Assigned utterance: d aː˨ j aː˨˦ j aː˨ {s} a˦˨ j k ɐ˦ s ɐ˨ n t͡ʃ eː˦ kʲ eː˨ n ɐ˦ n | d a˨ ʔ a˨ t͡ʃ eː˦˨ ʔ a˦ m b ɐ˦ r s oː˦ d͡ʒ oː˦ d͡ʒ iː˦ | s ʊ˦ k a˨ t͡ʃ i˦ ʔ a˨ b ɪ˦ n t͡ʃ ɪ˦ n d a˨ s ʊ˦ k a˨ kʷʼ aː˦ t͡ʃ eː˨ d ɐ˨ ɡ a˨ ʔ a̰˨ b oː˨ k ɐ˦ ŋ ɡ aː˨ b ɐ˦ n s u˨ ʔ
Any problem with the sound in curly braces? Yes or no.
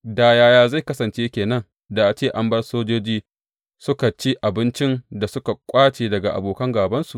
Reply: yes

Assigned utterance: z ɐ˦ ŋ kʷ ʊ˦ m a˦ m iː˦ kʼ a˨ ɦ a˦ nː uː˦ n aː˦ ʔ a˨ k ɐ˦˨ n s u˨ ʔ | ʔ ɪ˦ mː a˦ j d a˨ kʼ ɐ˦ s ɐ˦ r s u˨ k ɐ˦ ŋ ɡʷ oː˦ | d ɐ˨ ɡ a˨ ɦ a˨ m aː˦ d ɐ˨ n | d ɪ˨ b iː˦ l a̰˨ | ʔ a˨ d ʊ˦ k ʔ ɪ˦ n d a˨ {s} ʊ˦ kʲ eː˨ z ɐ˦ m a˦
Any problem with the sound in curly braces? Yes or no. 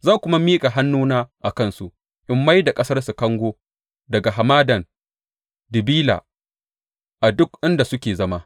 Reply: no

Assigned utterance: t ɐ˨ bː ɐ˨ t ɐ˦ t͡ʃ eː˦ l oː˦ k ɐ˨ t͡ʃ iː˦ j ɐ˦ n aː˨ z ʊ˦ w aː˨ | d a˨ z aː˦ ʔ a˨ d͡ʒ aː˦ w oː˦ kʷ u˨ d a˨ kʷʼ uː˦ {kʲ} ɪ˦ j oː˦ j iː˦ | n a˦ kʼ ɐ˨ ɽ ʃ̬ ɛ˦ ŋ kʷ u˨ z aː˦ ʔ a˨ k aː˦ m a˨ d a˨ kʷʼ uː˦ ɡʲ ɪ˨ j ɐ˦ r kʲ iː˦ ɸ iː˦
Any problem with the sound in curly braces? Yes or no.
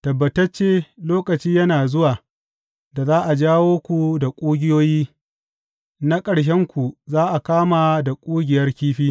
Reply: yes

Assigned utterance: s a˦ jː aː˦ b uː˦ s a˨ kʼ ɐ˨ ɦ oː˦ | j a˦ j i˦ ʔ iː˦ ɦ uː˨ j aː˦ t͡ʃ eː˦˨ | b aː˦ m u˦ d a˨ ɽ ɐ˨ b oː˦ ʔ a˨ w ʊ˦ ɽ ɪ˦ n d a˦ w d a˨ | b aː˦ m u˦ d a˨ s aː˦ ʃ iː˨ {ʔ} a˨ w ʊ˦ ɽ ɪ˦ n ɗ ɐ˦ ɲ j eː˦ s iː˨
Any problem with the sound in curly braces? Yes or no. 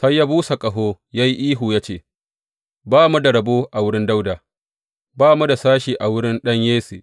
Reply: no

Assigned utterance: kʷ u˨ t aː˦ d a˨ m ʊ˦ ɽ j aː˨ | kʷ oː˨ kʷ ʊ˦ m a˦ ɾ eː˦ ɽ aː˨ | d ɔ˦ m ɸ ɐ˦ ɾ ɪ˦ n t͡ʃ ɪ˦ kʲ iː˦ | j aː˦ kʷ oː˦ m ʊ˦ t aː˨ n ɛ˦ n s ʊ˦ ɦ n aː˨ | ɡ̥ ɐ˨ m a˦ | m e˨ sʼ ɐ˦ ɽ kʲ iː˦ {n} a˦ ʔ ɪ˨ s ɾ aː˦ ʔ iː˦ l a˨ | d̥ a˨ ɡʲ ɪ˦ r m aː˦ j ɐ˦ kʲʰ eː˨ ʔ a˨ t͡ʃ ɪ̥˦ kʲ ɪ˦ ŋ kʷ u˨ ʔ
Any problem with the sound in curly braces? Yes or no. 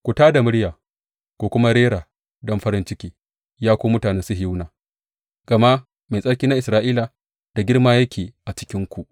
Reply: no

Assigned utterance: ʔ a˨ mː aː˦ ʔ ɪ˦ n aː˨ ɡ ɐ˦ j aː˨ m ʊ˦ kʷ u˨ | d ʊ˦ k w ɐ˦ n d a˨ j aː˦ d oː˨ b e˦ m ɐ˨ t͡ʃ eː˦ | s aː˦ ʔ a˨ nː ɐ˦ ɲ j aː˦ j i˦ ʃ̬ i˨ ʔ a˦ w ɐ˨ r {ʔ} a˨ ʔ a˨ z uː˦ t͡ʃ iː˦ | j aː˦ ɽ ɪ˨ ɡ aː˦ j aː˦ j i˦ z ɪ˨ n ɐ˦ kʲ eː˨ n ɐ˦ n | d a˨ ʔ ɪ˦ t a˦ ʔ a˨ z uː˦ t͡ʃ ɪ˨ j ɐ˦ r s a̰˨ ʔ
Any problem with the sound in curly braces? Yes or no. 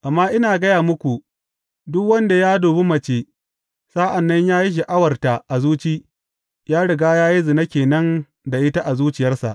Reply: yes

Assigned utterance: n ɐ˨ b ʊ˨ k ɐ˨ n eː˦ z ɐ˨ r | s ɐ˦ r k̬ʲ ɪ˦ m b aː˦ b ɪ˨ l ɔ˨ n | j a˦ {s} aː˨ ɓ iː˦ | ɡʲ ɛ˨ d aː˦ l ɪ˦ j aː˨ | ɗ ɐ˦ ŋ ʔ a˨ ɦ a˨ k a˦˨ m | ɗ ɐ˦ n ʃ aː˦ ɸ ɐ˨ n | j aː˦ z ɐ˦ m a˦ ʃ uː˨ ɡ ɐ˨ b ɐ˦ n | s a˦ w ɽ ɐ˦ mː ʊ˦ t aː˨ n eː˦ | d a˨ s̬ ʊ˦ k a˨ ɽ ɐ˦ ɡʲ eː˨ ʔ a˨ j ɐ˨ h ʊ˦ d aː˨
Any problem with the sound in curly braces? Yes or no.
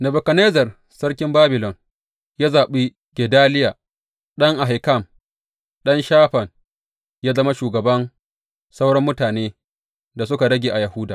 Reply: yes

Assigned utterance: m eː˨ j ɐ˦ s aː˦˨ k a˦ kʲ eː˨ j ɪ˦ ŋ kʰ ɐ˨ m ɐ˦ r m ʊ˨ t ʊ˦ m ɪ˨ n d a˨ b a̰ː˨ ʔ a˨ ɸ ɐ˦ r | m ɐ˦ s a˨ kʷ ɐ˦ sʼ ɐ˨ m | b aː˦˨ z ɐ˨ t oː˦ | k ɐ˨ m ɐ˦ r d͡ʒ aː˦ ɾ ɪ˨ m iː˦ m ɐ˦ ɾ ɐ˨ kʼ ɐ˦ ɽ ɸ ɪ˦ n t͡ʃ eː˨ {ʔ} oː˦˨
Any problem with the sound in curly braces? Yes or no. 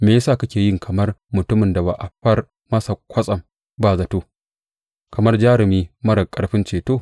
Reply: yes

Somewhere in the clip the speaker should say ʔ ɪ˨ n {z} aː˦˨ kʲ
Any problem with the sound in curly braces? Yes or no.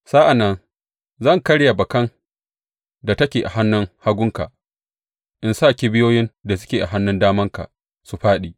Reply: yes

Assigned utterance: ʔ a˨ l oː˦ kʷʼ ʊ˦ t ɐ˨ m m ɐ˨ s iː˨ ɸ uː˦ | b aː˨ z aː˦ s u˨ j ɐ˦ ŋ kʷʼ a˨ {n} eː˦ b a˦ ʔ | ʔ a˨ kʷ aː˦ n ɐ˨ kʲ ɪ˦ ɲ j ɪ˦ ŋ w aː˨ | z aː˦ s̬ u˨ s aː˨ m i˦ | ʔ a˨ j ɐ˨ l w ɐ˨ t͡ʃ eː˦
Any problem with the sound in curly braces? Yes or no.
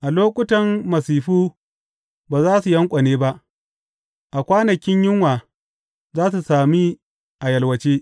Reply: no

